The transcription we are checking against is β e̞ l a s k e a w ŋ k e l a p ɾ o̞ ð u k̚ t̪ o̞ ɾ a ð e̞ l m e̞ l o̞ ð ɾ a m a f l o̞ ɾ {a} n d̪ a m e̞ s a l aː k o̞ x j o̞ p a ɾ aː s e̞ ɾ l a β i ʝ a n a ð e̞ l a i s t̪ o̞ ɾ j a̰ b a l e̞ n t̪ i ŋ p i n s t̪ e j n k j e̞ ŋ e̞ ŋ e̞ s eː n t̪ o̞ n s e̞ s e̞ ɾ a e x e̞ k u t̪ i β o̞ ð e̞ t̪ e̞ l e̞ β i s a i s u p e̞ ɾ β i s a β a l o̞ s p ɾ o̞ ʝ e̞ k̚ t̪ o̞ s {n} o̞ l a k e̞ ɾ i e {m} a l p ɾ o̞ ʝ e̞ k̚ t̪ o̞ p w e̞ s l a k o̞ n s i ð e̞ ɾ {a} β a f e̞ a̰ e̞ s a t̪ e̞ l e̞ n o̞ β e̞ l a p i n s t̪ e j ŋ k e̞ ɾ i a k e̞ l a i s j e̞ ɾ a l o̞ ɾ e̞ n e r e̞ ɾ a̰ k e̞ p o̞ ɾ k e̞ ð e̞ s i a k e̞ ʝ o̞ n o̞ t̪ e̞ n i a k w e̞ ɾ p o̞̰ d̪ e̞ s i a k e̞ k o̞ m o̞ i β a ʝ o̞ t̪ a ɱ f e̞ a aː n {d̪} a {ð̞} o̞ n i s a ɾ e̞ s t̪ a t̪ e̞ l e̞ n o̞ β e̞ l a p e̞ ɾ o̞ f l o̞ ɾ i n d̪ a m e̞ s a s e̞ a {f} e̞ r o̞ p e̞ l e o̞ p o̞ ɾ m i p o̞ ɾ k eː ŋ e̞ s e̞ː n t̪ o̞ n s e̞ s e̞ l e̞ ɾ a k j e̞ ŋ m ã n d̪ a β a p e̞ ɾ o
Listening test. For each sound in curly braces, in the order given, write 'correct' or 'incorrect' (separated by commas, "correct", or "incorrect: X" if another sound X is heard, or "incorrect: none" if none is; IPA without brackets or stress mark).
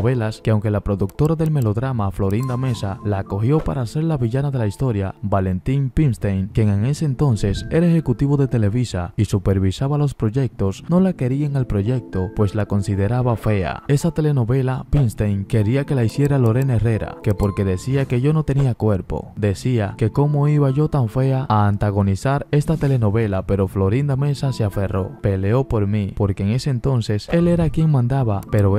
incorrect: i, correct, incorrect: ŋ, correct, incorrect: t̪, incorrect: ɣ̞, correct